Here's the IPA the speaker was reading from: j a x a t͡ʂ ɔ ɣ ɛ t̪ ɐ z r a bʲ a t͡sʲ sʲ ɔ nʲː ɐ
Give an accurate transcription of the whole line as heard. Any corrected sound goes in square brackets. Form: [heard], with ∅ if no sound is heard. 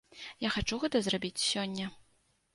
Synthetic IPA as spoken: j a x a t͡ʂ [u] ɣ ɛ t̪ ɐ z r a bʲ [i] t͡sʲ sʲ ɔ nʲː ɐ